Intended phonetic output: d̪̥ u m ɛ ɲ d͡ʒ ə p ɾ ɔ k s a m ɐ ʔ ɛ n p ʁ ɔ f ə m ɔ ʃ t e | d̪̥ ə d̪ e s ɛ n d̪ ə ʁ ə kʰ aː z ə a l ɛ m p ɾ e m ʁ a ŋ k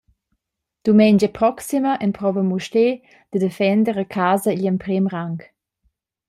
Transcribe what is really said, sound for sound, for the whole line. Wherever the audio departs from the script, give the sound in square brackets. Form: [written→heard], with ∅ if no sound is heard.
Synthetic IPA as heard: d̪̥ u m ɛ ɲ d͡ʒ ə p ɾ ɔ k s [a→i] m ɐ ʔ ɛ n p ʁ ɔ [f→v] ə m [ɔ→u] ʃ t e | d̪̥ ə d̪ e [s→f] ɛ n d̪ ə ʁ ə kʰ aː z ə [a→i] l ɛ m p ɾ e m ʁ a ŋ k